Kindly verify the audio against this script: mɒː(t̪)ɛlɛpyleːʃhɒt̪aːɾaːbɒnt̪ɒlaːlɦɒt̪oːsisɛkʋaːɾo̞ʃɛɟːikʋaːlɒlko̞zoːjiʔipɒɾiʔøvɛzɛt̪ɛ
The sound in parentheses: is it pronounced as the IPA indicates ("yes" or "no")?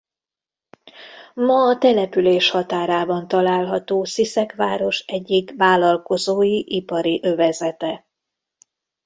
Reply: yes